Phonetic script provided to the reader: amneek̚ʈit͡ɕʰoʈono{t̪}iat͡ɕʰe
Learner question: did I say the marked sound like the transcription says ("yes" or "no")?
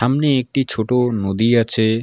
no